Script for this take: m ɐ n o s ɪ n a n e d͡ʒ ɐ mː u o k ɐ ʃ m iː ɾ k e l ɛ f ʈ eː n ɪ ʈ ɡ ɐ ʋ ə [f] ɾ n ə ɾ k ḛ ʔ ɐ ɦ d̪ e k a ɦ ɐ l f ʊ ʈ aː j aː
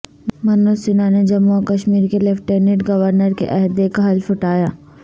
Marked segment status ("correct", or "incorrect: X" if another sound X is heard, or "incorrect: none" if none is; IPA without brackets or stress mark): incorrect: none